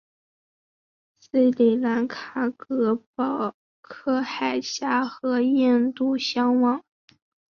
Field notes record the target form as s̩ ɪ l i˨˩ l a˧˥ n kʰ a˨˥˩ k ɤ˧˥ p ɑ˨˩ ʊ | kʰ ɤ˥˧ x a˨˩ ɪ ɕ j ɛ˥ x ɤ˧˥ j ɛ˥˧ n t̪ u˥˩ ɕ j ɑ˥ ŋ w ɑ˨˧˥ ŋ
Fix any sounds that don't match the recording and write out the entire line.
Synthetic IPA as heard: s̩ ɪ l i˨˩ l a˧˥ n kʰ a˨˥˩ k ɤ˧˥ p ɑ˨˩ ʊ | kʰ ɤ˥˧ x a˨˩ ɪ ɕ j a˥ x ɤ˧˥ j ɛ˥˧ n t̪ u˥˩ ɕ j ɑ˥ ŋ w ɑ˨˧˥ ŋ